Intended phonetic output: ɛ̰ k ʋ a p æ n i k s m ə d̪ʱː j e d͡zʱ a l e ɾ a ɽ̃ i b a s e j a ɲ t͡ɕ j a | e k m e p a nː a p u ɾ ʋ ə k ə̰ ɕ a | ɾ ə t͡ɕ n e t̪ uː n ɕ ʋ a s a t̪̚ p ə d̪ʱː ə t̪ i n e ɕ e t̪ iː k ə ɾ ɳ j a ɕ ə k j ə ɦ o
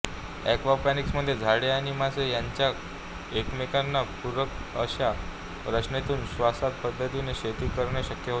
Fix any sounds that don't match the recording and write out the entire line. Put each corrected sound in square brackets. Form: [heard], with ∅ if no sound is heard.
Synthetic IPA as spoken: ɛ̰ k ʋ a p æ n i k s m ə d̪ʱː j e d͡zʱ a [ɽ] e [∅] a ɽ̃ i [m] a s e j a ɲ t͡ɕ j a | e k m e [k] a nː a p u ɾ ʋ ə k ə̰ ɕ a | ɾ ə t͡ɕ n e t̪ uː n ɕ ʋ a s a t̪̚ p ə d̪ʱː ə t̪ i n e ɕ e t̪ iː k ə ɾ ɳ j a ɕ ə k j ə ɦ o